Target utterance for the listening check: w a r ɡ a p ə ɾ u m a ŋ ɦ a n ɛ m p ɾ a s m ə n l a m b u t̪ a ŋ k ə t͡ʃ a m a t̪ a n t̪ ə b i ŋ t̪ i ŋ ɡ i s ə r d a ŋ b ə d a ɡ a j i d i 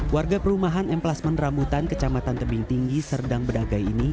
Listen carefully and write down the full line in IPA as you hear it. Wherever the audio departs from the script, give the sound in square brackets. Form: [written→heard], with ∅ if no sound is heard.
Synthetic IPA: w a r ɡ a p ə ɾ u m a [ŋ→∅] ɦ a n ɛ m p [ɾ→l] a s m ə n [l→r] a m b u t̪ a [ŋ→n] k ə t͡ʃ a m a t̪ a n t̪ ə b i ŋ t̪ i ŋ ɡ i s ə r d a ŋ b ə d a ɡ a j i [d→n] i